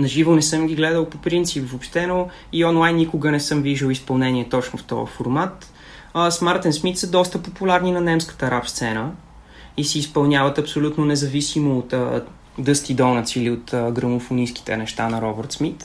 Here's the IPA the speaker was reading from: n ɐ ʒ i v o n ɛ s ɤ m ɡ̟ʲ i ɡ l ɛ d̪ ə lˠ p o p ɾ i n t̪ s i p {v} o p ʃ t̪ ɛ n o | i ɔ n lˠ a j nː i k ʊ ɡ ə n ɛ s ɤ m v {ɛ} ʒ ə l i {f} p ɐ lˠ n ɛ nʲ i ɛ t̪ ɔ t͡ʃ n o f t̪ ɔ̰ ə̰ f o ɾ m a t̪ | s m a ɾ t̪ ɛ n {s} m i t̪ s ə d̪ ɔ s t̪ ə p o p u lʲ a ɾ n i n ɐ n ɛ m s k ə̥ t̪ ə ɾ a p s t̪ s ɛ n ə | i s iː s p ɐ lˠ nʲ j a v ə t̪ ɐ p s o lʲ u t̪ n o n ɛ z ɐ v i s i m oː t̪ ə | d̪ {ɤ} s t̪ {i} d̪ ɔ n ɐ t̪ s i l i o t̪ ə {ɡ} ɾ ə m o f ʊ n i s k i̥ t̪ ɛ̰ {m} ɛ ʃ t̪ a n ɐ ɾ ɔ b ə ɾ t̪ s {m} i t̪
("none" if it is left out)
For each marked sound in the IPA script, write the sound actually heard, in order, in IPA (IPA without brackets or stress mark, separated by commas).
v, i, s, s, ɤ, i, ɡ, n, m